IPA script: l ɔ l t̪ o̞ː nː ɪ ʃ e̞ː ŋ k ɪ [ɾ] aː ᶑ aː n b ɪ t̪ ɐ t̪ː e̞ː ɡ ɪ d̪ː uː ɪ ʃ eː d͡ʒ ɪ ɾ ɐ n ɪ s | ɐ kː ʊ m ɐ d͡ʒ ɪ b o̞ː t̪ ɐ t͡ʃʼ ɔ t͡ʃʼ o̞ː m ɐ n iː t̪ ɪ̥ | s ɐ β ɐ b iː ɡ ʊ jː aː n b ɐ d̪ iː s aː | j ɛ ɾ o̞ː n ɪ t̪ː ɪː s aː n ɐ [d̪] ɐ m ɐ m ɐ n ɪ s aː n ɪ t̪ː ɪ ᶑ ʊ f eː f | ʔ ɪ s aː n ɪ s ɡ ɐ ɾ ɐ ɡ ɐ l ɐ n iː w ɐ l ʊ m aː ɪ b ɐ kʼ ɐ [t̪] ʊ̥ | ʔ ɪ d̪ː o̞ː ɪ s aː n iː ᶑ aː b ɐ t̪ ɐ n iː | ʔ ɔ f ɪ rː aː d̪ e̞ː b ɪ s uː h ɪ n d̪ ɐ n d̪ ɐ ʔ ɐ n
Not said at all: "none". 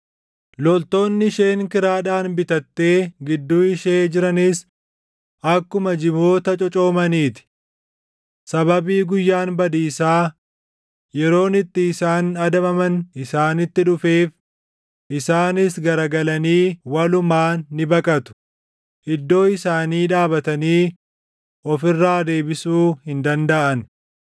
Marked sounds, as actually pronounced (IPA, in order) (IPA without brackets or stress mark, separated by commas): ɾ, d̪, t̪